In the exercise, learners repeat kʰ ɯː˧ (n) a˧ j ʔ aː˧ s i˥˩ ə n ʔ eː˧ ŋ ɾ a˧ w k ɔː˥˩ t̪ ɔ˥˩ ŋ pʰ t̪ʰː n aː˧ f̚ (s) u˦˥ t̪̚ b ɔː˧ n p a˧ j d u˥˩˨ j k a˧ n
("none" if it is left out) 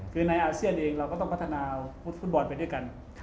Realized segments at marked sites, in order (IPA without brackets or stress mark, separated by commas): n, f